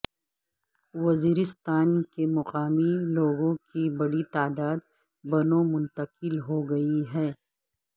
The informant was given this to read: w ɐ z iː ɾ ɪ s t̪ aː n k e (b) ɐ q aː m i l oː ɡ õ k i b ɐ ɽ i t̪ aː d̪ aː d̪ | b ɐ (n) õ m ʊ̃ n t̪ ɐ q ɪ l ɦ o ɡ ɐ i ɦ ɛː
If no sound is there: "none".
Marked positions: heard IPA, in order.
m, n

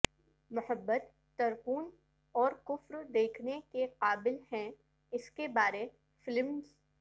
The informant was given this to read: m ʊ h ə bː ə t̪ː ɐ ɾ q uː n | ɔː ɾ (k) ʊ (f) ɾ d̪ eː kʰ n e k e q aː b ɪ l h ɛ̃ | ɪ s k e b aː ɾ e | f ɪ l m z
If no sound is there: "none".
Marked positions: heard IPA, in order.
k, f

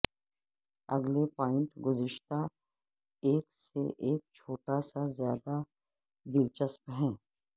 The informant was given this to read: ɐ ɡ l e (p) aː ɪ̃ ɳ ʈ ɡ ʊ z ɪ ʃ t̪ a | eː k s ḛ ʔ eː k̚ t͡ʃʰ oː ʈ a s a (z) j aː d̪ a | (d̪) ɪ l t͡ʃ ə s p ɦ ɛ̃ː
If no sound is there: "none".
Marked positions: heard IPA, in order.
p, z, d̪

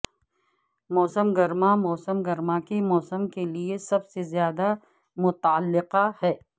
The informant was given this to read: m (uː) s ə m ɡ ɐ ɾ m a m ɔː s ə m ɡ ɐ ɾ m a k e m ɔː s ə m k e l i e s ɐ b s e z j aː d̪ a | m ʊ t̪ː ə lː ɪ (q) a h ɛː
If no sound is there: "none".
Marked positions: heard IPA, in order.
ɔː, q

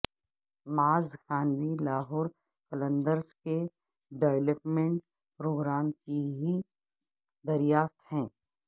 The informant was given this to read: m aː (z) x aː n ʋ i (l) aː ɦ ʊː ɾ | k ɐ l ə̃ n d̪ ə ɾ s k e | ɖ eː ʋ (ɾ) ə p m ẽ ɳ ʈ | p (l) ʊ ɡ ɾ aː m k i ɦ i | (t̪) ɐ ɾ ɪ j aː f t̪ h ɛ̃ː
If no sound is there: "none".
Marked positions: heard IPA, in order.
z, l, l, ɾ, d̪

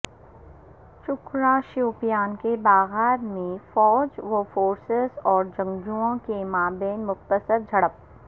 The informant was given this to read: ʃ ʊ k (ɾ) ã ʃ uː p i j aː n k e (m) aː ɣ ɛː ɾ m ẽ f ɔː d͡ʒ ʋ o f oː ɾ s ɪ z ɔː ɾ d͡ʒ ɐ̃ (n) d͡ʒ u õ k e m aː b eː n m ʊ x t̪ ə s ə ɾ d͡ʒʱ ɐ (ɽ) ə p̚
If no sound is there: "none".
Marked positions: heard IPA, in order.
ɾ, b, ŋ, ɽ

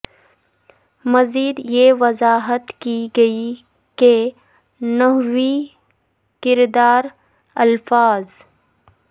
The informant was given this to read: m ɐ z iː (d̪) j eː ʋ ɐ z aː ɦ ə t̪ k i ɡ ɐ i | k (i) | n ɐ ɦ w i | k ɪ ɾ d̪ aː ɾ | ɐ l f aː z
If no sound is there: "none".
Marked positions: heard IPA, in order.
d̪, e

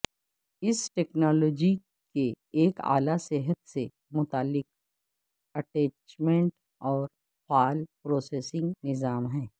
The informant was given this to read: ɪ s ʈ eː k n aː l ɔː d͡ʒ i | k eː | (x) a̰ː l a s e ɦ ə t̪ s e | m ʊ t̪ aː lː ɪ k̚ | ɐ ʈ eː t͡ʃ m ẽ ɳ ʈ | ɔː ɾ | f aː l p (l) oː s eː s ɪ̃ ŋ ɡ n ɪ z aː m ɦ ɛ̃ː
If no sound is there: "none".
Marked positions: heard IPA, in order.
k, ɾ

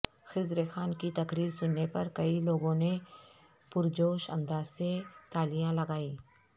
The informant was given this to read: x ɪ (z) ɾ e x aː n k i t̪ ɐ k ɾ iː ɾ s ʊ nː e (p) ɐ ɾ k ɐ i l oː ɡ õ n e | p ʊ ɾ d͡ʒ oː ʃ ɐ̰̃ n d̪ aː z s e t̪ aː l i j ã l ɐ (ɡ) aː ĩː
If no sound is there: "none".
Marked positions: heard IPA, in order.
z, p, ɡ

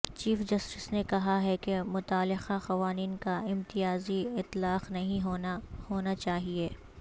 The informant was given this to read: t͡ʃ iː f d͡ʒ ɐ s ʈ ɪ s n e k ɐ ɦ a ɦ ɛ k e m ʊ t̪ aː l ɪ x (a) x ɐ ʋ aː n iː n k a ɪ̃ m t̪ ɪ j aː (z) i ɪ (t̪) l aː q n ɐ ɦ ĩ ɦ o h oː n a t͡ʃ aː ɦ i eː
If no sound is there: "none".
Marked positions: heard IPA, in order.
a, z, t̪

